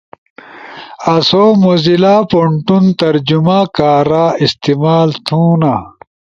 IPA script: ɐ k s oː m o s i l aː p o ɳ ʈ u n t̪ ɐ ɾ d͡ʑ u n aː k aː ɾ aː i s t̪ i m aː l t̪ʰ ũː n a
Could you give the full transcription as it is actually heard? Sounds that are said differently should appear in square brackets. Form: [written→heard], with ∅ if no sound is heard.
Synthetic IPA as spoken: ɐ [k→∅] s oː m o [s→z] i l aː p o ɳ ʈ u n t̪ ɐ ɾ d͡ʑ u [n→m] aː k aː ɾ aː i s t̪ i m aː l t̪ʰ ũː n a